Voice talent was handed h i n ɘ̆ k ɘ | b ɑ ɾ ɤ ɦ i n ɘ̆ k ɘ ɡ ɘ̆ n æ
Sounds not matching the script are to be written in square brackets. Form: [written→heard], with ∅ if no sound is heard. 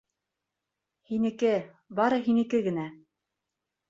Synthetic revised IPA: h i n ɘ̆ k ɘ | b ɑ ɾ ɤ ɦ i n ɘ̆ k ɘ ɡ ɘ̆ n æ